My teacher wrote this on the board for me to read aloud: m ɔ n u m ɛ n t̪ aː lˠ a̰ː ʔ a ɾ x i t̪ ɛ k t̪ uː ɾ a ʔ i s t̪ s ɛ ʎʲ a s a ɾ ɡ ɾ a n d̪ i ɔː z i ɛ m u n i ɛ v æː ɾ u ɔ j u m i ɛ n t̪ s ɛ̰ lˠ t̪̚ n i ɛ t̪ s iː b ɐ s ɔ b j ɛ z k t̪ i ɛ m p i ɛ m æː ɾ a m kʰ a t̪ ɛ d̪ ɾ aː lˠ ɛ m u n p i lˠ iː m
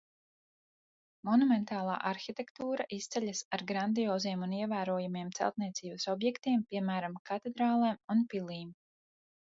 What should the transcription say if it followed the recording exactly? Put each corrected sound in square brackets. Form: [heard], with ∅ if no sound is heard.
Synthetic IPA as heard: m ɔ n u m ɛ n t̪ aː lˠ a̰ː ʔ a ɾ x i t̪ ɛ k t̪ uː ɾ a ʔ i s t̪ s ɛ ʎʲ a s a ɾ ɡ ɾ a n d̪ i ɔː z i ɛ m u n i ɛ v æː ɾ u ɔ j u m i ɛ [m] t̪ s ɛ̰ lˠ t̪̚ n i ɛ t̪ s iː b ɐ s ɔ b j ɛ [∅] k t̪ i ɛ m p i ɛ m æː ɾ a m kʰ a t̪ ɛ d̪ ɾ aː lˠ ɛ m u n p i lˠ iː m